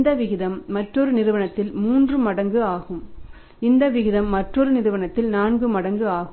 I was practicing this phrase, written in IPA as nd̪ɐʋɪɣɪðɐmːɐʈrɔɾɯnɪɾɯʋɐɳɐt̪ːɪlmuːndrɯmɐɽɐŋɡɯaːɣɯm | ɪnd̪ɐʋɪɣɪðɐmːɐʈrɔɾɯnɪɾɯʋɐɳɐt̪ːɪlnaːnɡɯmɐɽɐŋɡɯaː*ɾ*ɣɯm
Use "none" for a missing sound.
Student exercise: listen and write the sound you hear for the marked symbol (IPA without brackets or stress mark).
none